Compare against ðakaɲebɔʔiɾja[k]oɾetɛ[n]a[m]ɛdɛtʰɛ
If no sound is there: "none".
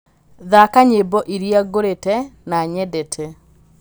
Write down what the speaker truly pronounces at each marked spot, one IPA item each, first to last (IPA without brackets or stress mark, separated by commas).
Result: ɡ, n, ɲ